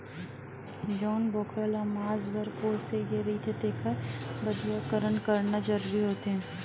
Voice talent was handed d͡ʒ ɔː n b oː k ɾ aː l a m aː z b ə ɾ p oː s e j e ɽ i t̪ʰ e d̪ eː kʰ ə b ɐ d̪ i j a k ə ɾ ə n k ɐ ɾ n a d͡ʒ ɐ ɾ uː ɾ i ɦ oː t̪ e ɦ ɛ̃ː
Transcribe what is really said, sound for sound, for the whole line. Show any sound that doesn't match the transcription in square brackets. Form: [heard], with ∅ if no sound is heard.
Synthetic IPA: d͡ʒ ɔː n b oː k ɾ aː l a m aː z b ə ɾ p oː s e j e [ɾ] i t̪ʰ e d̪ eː kʰ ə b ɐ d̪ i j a k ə ɾ ə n k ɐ ɾ n a d͡ʒ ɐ ɾ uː ɾ i ɦ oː t̪ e ɦ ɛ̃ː